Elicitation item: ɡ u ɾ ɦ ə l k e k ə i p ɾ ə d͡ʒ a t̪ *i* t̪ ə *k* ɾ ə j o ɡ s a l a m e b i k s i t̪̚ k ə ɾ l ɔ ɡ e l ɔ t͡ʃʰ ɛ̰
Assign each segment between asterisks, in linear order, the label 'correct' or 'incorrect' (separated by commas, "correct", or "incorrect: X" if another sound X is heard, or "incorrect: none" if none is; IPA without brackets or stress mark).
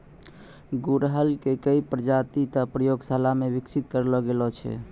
correct, incorrect: p